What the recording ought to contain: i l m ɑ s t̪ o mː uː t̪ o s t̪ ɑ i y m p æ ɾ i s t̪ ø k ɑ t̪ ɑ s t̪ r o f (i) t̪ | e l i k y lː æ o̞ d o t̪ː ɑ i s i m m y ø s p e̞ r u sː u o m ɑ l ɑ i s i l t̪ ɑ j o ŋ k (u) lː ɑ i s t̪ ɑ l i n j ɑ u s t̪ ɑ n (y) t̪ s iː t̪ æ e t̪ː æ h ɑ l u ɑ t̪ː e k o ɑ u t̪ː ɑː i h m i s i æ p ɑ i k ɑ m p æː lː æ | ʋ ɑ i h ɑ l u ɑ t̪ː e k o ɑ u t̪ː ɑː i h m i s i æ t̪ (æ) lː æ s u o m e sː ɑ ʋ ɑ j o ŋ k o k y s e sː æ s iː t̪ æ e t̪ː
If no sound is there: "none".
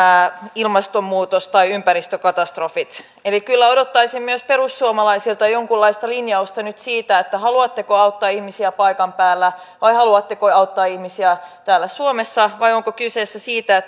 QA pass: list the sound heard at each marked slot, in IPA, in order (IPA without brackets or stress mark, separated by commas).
i, u, y, æː